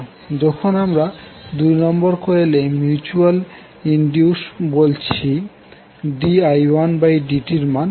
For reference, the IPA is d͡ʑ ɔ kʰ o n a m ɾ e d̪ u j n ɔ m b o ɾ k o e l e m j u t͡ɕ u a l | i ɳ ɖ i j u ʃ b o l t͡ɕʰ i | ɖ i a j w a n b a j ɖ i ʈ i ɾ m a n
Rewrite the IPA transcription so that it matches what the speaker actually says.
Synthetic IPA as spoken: d͡ʑ ɔ kʰ o n a m ɾ a d̪ u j n ɔ m b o ɾ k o e l e m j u t͡ɕ u a l | i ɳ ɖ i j u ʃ b o l t͡ɕʰ i | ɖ i a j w a n b a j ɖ i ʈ i ɾ m a n